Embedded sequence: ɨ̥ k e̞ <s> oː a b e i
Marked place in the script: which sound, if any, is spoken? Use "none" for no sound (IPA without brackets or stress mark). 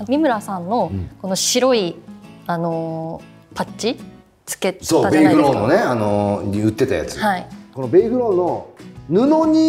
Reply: s